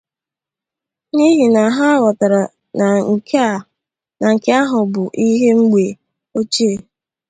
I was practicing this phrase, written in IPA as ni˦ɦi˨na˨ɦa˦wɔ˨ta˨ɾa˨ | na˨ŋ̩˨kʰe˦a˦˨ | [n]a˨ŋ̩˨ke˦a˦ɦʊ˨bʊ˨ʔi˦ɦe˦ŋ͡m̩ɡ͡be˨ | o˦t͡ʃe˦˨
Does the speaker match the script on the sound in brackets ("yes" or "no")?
yes